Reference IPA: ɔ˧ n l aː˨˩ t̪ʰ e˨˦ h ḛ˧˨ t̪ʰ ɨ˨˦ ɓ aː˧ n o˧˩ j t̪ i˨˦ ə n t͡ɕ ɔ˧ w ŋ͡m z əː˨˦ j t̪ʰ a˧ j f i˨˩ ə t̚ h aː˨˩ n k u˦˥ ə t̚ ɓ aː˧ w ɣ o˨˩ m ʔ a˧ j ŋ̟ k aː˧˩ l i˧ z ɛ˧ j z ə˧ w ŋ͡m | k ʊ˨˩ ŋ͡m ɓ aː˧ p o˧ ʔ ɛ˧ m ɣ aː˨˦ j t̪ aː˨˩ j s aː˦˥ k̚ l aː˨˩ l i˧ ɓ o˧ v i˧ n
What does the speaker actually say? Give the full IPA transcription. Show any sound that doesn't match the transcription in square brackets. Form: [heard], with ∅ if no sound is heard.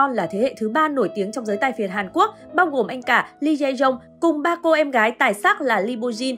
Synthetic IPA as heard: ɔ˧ n l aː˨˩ t̪ʰ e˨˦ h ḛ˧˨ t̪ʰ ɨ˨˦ ɓ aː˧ n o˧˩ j t̪ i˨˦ ə [ŋ] t͡ɕ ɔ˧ w ŋ͡m z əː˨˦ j [t̪] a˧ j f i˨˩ ə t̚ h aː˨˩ n k u˦˥ ə [k̚] ɓ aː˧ w ɣ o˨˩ m ʔ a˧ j ŋ̟ k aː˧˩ l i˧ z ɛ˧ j z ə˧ w ŋ͡m | k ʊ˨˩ ŋ͡m ɓ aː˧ [k] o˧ ʔ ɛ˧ m ɣ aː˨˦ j t̪ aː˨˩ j s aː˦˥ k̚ l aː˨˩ l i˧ ɓ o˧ [z] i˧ n